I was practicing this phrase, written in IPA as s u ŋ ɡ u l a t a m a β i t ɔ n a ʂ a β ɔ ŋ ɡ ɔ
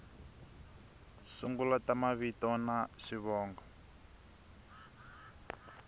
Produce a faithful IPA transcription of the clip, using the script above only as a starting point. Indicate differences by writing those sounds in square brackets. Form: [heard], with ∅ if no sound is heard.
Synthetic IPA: s u ŋ ɡ u l a t a m a β i t ɔ n a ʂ [i] β [ɔː] ŋ ɡ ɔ

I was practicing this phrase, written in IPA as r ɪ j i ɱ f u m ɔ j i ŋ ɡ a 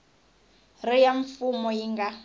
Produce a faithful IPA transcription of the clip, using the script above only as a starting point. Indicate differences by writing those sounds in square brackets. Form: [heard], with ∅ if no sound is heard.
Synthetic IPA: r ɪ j [a] ɱ f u m ɔ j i ŋ ɡ a

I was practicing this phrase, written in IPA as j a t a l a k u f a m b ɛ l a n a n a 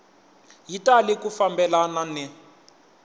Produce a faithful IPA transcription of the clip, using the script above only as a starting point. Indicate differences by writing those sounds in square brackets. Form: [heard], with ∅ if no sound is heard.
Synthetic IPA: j [i] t a l [i] k u f a m b ɛ l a n a n [ɛ]

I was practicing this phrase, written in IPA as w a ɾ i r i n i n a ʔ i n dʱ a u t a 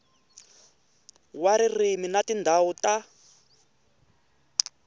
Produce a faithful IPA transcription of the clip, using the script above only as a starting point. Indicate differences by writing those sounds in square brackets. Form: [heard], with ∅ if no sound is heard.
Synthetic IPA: w a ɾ i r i [m] i n a [t] i n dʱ a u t a

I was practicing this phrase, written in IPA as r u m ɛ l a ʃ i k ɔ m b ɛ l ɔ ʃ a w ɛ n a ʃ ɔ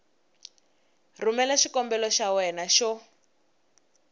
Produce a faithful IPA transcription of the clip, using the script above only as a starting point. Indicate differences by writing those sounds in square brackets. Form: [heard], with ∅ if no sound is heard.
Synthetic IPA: r u m ɛ l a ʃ i k ɔ m b ɛ l ɔ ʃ a w ɛ n a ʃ ɔ

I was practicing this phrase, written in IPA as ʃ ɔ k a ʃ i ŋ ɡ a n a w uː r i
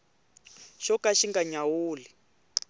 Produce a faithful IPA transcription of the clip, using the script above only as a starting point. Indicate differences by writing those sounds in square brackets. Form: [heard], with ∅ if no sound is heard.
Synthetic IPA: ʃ ɔ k a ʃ i ŋ ɡ a [ɲ] a w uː [l] i

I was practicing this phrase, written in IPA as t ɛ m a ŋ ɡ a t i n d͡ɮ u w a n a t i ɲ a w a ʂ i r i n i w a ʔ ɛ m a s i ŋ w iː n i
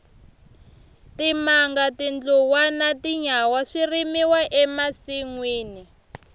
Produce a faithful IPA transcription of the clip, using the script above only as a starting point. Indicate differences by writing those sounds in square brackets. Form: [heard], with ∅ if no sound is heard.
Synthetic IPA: t [i] m a ŋ ɡ a t i n d͡ɮ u w a n a t i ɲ a w a ʂ i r i [m] i w a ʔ ɛ m a s i ŋ w iː n i

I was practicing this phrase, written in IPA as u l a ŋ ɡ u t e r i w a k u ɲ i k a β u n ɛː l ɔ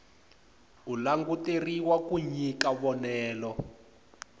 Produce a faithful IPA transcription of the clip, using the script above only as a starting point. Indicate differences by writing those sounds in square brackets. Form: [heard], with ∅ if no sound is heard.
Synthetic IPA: u l a ŋ ɡ u t e r i w a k u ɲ i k a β [ɔ] n ɛː l ɔ

